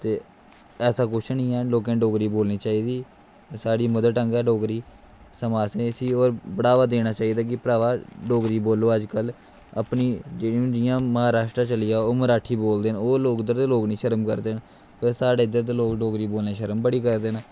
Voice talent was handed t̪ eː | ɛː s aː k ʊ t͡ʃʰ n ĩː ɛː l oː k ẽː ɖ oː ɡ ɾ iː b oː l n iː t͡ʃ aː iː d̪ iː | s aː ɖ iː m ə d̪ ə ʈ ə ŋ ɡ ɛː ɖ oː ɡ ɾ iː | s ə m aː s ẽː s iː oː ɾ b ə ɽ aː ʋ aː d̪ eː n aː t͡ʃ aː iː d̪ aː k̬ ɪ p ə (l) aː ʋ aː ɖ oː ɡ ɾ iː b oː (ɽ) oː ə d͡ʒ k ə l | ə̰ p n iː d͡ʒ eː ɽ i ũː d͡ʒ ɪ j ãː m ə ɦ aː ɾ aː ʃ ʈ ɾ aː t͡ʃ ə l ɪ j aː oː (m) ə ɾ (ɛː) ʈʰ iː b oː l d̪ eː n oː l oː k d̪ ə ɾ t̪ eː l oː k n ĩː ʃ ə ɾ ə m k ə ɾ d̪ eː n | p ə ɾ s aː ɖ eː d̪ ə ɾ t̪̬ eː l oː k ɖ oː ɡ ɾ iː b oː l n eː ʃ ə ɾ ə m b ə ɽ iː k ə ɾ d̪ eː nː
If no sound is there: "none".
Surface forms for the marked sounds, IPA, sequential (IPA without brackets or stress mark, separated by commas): ɾ, l, m, aː